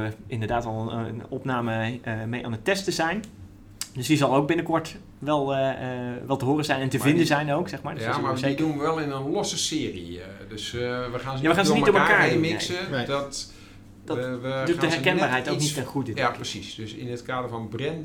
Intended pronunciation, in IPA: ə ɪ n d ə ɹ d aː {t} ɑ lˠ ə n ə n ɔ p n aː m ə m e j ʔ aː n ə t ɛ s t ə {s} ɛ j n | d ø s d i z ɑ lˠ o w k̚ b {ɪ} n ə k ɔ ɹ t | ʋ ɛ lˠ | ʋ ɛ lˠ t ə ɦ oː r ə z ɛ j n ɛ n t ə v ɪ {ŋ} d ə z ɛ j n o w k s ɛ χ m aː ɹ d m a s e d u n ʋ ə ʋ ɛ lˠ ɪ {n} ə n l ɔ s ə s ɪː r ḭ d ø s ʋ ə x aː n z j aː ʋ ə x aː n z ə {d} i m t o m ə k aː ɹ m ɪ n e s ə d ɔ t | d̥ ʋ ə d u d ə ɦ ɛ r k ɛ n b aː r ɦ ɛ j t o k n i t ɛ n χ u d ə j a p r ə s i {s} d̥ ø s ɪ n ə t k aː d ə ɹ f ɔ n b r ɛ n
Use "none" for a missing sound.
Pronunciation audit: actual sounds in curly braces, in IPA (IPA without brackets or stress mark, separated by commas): t, z, ɪ, n, n, n, s